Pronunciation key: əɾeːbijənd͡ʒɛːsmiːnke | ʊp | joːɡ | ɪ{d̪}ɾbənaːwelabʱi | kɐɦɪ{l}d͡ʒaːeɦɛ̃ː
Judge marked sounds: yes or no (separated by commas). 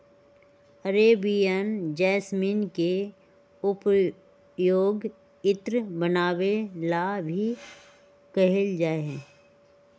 no, yes